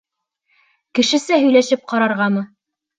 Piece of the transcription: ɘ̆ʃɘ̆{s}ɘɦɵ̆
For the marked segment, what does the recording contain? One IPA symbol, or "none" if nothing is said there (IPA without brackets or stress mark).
s